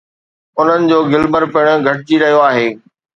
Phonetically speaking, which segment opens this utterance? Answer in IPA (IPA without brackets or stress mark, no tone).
ʊ